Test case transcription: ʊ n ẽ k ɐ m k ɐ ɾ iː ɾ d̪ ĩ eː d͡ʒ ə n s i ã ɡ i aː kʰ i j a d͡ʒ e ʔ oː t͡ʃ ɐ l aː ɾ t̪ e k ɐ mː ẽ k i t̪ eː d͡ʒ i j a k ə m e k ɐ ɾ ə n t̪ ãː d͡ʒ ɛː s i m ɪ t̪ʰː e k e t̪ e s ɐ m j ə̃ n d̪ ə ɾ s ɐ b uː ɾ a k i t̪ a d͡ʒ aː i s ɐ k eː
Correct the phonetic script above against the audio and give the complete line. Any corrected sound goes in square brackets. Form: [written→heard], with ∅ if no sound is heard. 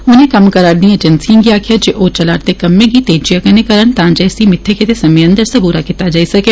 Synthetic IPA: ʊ n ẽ k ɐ m k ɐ ɾ [iː→aː] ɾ d̪ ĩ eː d͡ʒ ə n s i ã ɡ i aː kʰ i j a d͡ʒ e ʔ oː t͡ʃ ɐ l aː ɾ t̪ e k ɐ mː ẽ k i t̪ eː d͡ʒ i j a k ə [m→n] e k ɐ ɾ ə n t̪ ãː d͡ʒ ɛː s i m ɪ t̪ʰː e k e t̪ e s ɐ m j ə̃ n d̪ ə ɾ s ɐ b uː ɾ a k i t̪ a d͡ʒ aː i s ɐ k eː